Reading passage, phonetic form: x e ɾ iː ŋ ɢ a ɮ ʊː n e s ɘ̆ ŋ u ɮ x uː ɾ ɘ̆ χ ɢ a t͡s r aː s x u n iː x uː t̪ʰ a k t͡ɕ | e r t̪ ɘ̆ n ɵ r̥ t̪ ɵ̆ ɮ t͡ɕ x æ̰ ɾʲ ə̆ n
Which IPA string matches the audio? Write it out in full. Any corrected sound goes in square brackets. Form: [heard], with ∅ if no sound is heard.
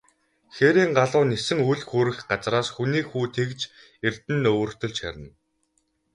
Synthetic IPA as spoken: x e ɾ iː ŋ ɢ a ɮ ʊː n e s ɘ̆ ŋ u ɮ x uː ɾ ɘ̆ [x] ɢ a t͡s r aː s x u n iː x uː t̪ʰ [e] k t͡ɕ | e r t̪ ɘ̆ n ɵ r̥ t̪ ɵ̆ ɮ t͡ɕ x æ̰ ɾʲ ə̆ n